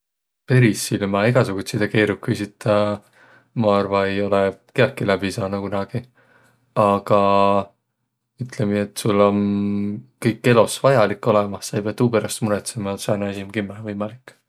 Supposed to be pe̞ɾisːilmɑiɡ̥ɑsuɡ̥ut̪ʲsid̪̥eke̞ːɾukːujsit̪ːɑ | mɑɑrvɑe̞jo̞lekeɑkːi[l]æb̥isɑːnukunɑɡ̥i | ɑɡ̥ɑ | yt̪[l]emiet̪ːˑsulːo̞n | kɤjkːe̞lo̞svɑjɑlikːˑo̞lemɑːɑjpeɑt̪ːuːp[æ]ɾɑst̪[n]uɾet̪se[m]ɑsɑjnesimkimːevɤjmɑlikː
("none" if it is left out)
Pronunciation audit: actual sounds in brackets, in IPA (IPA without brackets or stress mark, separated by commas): l, l, e, m, m